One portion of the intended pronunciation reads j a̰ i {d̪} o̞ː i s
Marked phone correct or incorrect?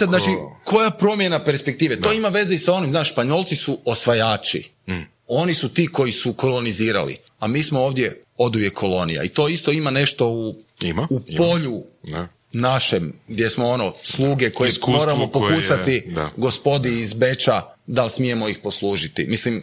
incorrect